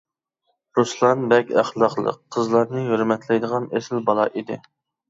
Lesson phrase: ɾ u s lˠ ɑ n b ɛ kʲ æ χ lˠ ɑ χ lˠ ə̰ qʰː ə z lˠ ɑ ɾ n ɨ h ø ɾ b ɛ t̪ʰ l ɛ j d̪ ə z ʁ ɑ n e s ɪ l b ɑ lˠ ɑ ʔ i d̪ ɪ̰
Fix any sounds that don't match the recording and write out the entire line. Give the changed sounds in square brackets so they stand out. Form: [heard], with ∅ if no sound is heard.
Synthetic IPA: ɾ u s lˠ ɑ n b ɛ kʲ æ χ lˠ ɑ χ lˠ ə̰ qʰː ə z lˠ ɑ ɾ n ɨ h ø ɾ [m] ɛ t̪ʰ l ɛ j d̪ ə [∅] ʁ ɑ n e s ɪ l b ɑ lˠ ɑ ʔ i d̪ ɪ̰